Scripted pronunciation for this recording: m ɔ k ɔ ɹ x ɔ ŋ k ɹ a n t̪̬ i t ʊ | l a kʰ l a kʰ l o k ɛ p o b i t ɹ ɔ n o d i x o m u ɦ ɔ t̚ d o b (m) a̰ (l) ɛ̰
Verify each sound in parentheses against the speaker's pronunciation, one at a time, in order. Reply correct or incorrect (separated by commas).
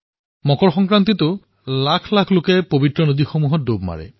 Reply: correct, incorrect